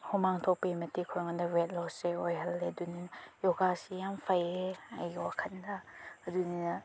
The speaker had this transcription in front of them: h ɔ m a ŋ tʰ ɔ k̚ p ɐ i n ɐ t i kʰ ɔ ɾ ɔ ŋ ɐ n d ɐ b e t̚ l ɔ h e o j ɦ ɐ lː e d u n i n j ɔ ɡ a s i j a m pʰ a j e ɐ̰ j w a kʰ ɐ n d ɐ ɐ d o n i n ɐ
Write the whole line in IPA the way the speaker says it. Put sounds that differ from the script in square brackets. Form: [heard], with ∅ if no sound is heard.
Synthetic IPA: h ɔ m a ŋ tʰ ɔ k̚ p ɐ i [m] ɐ t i kʰ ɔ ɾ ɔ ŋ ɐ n d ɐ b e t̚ l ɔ [s] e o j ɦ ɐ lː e d u n i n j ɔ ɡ a s i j a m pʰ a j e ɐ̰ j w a kʰ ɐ n d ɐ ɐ d [u] n i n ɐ